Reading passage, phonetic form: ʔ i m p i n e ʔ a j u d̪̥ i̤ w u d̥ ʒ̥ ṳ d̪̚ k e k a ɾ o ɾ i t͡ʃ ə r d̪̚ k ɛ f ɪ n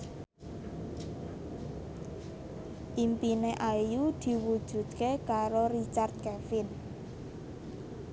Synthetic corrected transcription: ʔ i m p i n e ʔ a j u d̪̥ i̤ w u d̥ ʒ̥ ṳ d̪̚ k e k a ɾ o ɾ i t͡ʃ a r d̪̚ k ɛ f ɪ n

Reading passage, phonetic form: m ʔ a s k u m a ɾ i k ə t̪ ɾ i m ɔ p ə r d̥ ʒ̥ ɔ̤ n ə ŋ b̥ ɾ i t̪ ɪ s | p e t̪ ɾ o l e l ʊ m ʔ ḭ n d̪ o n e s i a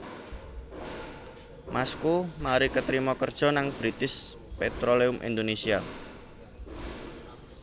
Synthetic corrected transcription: m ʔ a s k u m a ɾ i k ə t̪ ɾ i m ɔ k ə r d̥ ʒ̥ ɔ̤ n a ŋ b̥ ɾ i t̪ ɪ s | p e t̪ ɾ o l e ʊ m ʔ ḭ n d̪ o n e s i a

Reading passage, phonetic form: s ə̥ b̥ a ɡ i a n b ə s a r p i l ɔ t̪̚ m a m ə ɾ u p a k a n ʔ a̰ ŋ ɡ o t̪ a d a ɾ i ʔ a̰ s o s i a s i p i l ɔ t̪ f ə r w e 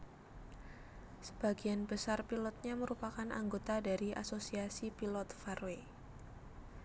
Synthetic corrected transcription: s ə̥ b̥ a ɡ i a n b ə s a r p i l ɔ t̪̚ ɲ a m ə ɾ u p a k a n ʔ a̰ ŋ ɡ o t̪ a d a ɾ i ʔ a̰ s o s i a s i p i l ɔ t̪ f a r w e

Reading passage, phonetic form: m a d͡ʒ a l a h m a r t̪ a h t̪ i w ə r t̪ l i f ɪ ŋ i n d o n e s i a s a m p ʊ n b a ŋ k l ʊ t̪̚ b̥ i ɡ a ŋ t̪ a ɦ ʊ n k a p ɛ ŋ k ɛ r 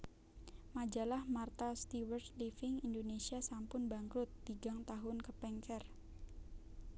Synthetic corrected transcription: m a d͡ʒ a l a h m a r t̪ a s t̪ i w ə r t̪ l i f ɪ ŋ i n d o n e s i a s a m p ʊ n b a ŋ k ɾ ʊ t̪̚ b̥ i ɡ a ŋ t̪ a ɦ ʊ n k ə p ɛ ŋ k ɛ r

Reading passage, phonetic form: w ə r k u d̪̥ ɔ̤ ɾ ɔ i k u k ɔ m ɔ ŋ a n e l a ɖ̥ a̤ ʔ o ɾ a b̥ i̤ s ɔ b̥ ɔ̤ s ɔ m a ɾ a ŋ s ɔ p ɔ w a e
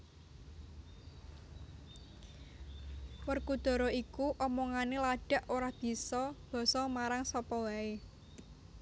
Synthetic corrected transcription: w ə r k u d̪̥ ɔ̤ ɾ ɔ i k u ʔ ɔ m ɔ ŋ a n e l a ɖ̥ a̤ ʔ o ɾ a b̥ i̤ s ɔ b̥ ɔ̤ s ɔ m a ɾ a ŋ s ɔ p ɔ w a e

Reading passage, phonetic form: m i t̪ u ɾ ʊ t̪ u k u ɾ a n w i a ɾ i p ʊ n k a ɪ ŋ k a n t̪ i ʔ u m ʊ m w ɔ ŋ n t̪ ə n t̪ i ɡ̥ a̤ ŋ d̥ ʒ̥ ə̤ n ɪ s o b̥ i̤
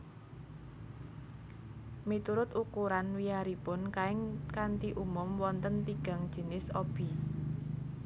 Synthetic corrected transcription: m i t̪ u ɾ ʊ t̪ u k u ɾ a n w i a ɾ i p ʊ n k a ɪ ŋ k a n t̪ i ʔ u m ʊ m w ɔ n t̪ ə n t̪ i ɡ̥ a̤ ŋ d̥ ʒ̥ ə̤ n ɪ s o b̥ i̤

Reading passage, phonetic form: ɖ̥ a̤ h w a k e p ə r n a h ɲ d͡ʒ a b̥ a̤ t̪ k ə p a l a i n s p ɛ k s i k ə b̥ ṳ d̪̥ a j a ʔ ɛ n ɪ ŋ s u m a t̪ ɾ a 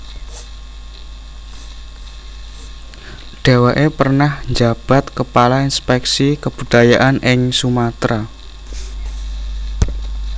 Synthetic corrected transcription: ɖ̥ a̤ w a ʔ e p ə r n a h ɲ d͡ʒ a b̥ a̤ t̪ k ə p a l a i n s p ɛ k s i k ə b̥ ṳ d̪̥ a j a ʔ a n ɪ ŋ s u m a t̪ ɾ a

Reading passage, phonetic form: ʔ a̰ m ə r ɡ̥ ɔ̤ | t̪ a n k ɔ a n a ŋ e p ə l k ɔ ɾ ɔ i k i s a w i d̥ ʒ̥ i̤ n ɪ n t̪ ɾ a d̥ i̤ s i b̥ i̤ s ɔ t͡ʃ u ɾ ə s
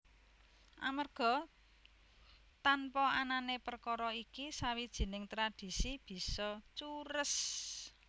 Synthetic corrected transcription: ʔ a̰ m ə r ɡ̥ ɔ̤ | t̪ a n p ɔ a n a n e p ə r k ɔ ɾ ɔ i k i s a w i d̥ ʒ̥ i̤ n ɪ ŋ t̪ ɾ a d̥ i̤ s i b̥ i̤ s ɔ t͡ʃ u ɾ ə s

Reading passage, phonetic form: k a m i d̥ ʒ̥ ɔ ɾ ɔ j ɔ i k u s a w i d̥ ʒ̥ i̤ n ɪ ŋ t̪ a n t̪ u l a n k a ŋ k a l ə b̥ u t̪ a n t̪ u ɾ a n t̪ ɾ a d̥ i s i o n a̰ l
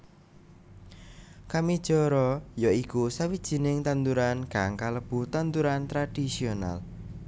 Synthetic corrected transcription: k a m i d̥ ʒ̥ ɔ ɾ ɔ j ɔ i k u s a w i d̥ ʒ̥ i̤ n ɪ ŋ t̪ a n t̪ u ɾ a n k a ŋ k a l ə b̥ u t̪ a n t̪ u ɾ a n t̪ ɾ a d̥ i s i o n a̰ l

